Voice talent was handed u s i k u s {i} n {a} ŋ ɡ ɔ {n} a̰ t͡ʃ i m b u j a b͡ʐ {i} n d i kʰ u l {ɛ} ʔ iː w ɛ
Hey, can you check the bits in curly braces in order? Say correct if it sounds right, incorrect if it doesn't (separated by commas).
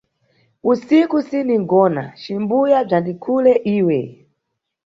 correct, incorrect, correct, incorrect, correct